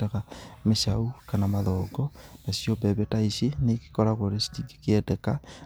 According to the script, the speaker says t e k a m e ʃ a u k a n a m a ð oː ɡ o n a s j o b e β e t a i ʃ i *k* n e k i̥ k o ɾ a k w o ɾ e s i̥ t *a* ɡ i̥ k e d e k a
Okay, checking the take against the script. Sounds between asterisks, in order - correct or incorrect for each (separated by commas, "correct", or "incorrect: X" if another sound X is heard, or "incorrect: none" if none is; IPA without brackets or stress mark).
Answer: incorrect: none, incorrect: i